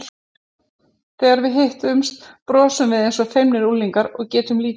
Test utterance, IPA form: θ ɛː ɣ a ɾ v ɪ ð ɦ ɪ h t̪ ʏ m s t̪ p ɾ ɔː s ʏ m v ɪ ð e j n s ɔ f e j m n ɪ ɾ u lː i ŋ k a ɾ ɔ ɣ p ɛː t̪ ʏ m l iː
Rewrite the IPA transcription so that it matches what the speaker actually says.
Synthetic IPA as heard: θ ɛː ɣ a ɾ v ɪ ð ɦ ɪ h t̪ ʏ m s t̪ p ɾ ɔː s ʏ m v ɪ ð e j n s ɔ f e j m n ɪ ɾ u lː i ŋ k a ɾ ɔ ɣ c ɛː t̪ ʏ m l iː